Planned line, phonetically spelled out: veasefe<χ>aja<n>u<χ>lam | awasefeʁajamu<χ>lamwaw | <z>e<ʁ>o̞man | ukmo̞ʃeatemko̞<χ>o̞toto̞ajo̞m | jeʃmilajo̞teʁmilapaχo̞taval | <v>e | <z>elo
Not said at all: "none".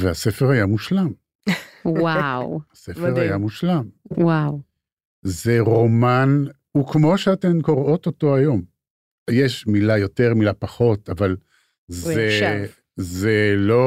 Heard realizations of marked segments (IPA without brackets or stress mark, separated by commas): ʁ, m, ʃ, ʃ, z, ʁ, ʁ, z, z